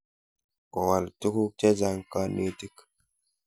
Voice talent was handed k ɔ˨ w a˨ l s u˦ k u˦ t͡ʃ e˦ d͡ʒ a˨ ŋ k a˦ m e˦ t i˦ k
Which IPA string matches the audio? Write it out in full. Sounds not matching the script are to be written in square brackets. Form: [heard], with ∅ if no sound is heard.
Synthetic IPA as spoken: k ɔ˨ w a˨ l [t] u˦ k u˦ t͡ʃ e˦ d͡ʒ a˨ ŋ k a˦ [n] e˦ t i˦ k